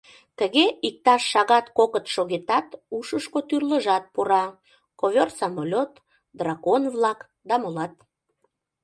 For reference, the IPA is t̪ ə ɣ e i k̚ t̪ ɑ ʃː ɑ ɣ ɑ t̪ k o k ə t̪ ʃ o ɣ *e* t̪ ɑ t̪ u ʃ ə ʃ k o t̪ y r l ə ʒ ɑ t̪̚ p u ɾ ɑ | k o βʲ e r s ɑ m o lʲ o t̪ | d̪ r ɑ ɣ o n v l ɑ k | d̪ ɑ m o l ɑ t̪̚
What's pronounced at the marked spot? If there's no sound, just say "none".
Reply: e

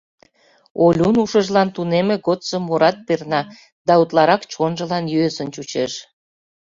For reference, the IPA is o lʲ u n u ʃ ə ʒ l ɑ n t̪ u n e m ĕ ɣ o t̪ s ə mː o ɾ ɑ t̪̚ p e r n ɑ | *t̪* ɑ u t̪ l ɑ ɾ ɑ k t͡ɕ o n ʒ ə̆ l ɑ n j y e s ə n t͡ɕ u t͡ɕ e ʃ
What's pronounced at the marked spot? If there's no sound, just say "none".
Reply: d̪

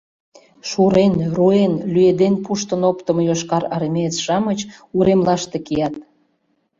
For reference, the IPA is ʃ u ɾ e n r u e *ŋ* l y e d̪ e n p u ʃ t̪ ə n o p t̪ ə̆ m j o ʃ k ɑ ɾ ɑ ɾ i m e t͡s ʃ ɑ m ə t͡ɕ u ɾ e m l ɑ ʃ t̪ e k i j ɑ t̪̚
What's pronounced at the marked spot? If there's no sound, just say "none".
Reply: n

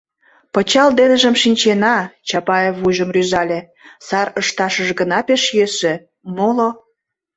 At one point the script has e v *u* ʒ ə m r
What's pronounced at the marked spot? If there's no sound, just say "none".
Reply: u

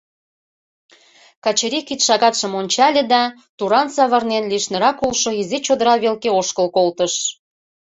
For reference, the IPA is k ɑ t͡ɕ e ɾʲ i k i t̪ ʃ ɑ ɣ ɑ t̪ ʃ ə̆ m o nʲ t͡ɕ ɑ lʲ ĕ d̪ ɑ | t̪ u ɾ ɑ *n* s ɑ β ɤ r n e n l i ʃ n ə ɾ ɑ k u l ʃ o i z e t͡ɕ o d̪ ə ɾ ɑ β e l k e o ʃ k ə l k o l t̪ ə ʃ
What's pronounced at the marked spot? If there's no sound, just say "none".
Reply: n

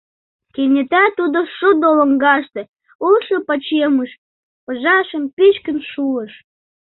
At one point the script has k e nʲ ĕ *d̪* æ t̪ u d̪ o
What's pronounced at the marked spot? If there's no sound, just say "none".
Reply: t̪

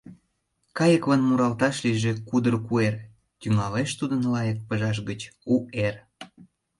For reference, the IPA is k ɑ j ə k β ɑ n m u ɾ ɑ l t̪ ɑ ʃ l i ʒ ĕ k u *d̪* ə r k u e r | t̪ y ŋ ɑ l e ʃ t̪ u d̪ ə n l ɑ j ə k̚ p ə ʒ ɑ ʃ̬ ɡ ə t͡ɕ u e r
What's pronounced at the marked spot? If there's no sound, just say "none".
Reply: d̪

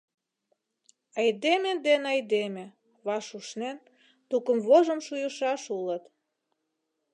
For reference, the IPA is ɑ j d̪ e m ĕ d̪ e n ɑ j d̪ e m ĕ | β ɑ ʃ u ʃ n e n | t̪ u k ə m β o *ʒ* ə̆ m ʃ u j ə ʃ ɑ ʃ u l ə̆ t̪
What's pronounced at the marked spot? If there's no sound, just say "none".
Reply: ʒ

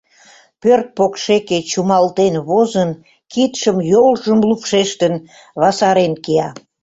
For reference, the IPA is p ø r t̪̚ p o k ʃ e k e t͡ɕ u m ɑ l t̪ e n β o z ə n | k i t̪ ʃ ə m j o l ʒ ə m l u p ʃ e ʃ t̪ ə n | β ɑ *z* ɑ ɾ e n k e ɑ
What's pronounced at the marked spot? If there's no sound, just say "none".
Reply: s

